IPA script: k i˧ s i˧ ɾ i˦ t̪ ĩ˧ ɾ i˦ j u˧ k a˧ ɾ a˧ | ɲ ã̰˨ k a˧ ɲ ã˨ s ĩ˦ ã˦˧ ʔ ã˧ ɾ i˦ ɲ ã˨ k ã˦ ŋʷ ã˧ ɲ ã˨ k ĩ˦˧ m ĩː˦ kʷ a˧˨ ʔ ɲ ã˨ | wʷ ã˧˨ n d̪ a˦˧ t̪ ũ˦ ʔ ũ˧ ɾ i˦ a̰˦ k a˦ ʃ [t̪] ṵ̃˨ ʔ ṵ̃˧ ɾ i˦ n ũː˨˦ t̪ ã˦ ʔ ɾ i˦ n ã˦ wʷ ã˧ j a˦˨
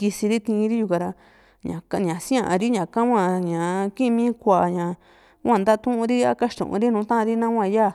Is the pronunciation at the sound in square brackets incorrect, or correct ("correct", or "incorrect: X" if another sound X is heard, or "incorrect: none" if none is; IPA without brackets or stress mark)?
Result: correct